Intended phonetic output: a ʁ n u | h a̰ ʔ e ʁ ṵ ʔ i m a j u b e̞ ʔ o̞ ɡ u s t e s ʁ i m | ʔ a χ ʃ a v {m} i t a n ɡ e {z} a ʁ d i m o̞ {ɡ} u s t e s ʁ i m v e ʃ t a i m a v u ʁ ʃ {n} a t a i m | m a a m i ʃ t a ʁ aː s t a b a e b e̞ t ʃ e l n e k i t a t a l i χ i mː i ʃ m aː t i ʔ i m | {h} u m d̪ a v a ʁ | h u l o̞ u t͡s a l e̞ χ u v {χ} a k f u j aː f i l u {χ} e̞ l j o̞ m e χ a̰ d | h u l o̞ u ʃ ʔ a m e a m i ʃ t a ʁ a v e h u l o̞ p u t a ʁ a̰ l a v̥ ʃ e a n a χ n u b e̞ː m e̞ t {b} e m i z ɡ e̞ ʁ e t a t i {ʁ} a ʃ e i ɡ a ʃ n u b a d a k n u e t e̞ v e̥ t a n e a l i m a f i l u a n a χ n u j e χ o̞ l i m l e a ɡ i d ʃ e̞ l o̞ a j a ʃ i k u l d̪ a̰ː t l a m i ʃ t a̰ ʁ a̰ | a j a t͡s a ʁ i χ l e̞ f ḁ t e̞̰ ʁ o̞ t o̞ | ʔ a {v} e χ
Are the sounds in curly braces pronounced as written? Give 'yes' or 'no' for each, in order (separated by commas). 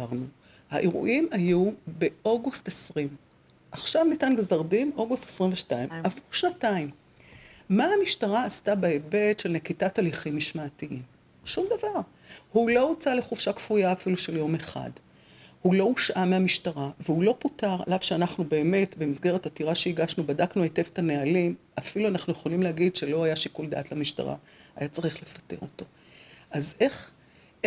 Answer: no, yes, yes, yes, no, no, no, yes, yes, no